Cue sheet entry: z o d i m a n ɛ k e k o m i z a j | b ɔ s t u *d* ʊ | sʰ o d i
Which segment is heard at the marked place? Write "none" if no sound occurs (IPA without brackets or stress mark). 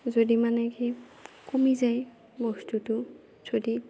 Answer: t